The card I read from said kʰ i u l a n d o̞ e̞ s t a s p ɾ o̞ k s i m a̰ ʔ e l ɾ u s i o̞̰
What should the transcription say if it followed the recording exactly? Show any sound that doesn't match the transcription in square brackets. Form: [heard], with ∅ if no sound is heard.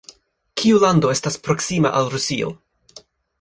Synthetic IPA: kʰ i u l a n d o̞ e̞ s t a s p ɾ o̞ k s i m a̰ ʔ [a] l ɾ u s i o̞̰